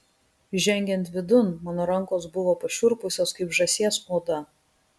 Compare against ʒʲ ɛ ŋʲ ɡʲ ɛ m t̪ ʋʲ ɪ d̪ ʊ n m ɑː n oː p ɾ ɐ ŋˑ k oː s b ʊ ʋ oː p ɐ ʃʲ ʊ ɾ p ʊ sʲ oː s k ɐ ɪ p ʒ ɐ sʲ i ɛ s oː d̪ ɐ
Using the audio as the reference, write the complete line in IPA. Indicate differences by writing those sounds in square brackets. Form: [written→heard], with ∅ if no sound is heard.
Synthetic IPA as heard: ʒʲ ɛ ŋʲ ɡʲ ɛ [m→n] t̪ ʋʲ ɪ d̪ ʊ n m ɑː n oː [p→∅] ɾ ɐ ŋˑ k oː s b ʊ ʋ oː p ɐ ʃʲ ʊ ɾ p ʊ sʲ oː s k ɐ ɪ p ʒ ɐ sʲ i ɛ s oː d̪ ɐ

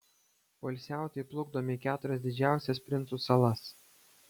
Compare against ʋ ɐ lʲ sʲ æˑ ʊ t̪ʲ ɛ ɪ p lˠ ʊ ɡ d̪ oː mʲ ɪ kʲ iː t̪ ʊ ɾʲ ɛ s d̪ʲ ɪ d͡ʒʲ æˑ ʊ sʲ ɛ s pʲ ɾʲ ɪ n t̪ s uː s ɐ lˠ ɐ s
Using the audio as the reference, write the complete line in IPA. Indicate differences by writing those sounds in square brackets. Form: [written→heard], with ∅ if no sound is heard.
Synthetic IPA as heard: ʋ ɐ lʲ sʲ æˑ ʊ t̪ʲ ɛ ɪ p lˠ ʊ ɡ d̪ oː mʲ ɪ kʲ [iː→æː] t̪ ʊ ɾʲ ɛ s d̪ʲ ɪ d͡ʒʲ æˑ ʊ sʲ ɛ s pʲ ɾʲ ɪ n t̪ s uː s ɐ lˠ ɐ s

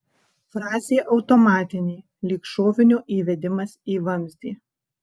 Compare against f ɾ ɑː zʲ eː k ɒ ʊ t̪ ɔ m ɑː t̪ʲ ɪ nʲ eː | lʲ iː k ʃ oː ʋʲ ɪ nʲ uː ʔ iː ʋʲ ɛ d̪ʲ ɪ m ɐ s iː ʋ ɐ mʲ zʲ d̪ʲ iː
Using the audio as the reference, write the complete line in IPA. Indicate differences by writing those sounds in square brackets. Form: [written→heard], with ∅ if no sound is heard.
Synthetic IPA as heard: f ɾ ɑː zʲ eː [k→ʔ] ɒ ʊ t̪ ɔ m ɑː t̪ʲ ɪ nʲ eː | lʲ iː k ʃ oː ʋʲ ɪ nʲ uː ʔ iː ʋʲ ɛ d̪ʲ ɪ m ɐ s iː ʋ ɐ mʲ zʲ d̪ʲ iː

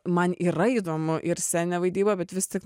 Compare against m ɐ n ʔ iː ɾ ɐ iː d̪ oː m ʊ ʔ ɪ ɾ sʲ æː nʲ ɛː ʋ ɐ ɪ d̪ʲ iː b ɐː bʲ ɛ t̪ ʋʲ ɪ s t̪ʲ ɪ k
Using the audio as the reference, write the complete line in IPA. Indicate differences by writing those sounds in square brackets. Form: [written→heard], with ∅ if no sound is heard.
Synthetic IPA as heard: m ɐ n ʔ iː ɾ ɐ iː d̪ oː m ʊ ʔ ɪ ɾ sʲ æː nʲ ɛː ʋ ɐ ɪ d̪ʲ iː b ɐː bʲ ɛ t̪ ʋʲ ɪ s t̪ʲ ɪ k

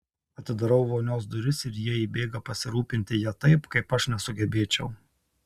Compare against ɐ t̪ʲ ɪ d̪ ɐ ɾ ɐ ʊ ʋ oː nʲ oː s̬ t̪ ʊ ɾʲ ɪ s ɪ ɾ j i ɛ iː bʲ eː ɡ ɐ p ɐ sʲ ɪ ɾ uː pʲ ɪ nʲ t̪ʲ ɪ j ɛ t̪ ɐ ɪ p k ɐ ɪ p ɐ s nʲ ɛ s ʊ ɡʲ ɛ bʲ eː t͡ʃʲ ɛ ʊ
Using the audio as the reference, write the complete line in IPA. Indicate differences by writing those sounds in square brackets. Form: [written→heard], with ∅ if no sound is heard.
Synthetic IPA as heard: ɐ t̪ʲ ɪ d̪ ɐ ɾ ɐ ʊ ʋ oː nʲ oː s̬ [t̪→d̪] ʊ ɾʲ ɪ s ɪ ɾ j i ɛ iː bʲ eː ɡ ɐ p ɐ sʲ ɪ ɾ uː pʲ ɪ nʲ t̪ʲ ɪ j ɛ t̪ ɐ ɪ p k ɐ ɪ p ɐ [s→ʃ] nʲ ɛ s ʊ ɡʲ ɛ bʲ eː t͡ʃʲ ɛ ʊ

